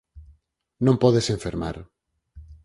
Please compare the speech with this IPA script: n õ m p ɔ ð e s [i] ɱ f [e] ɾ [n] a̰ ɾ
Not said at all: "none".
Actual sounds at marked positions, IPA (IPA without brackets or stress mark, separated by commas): e, e, m